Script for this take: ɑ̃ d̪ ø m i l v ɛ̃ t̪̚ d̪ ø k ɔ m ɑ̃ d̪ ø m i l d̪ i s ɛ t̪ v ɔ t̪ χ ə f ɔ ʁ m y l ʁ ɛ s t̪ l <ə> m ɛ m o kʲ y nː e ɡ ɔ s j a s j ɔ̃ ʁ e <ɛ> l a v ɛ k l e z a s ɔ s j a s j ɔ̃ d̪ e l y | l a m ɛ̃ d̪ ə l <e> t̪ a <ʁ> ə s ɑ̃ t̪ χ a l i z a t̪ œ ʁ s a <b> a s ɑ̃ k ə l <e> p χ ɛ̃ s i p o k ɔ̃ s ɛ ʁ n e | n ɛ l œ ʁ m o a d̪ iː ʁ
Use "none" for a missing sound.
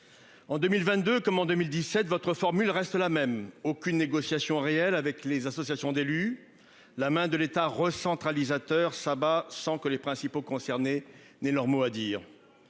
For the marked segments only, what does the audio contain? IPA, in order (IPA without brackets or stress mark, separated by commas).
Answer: a, ɛ, e, ʁ, b, e